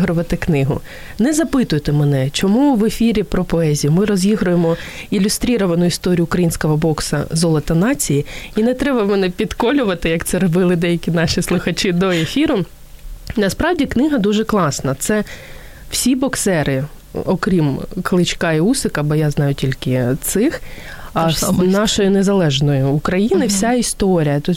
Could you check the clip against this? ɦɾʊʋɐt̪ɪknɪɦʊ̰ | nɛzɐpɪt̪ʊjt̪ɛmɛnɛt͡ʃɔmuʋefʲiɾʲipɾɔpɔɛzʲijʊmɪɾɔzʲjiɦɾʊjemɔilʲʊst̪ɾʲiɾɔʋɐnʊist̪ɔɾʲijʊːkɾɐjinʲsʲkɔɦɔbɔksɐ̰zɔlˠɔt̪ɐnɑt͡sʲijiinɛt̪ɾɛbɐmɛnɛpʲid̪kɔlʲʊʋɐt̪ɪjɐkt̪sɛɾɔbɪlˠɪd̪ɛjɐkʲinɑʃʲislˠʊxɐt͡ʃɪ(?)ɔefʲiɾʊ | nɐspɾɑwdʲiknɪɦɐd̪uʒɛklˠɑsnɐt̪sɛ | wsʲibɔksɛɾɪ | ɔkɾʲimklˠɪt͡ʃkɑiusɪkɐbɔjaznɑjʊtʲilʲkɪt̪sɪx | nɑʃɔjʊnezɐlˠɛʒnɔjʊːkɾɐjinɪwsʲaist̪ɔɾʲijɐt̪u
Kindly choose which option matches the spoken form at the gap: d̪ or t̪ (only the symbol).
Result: d̪